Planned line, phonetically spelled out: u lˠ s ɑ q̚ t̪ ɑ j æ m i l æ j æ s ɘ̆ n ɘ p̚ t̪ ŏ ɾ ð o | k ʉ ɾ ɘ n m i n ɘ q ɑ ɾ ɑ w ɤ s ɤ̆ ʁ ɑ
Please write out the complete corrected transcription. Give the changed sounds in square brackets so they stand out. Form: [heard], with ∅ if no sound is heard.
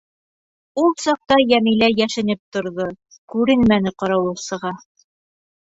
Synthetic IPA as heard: u lˠ s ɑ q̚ t̪ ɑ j æ m i l æ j æ [ʃ] ɘ̆ n ɘ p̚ t̪ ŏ ɾ ð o | k ʉ ɾ ɘ n m [æ] n ɘ q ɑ ɾ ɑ w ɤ s ɤ̆ ʁ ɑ